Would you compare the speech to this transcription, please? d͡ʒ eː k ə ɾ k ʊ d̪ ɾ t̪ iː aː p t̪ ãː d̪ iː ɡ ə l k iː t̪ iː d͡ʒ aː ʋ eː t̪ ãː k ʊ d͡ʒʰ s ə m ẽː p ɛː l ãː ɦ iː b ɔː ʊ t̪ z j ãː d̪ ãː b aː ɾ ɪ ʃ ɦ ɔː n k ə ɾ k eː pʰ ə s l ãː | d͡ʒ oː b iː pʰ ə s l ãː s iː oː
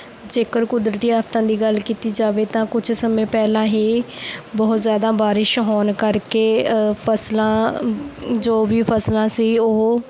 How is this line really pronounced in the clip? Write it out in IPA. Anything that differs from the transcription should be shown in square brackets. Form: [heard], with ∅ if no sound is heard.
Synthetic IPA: d͡ʒ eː k ə ɾ k ʊ d̪ ɾ t̪ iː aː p t̪ ãː d̪ iː ɡ ə l k iː t̪ iː d͡ʒ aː ʋ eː t̪ ãː k ʊ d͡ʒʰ s ə m ẽː p ɛː l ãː ɦ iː b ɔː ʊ t̪ z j [aː] d̪ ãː b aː ɾ ɪ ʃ ɦ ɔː n k ə ɾ k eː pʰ ə s l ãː | d͡ʒ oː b iː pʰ ə s l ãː s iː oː

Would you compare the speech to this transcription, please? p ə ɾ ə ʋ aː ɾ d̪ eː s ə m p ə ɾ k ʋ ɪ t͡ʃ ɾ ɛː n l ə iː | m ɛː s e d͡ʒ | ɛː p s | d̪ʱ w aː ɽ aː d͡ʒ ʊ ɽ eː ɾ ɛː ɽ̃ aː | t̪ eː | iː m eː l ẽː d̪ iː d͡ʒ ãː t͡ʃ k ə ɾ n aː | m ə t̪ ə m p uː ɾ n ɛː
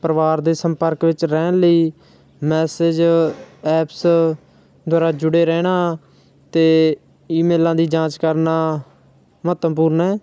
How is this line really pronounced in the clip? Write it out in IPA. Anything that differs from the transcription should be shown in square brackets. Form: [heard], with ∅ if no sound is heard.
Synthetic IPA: p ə ɾ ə ʋ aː ɾ d̪ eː s ə m p ə ɾ k ʋ ɪ t͡ʃ ɾ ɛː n l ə iː | m ɛː s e d͡ʒ | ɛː p s | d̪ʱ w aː [ɾ] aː d͡ʒ ʊ ɽ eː ɾ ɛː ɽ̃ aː | t̪ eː | iː m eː l [ãː] d̪ iː d͡ʒ ãː t͡ʃ k ə ɾ n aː | m ə t̪ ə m p uː ɾ n ɛː

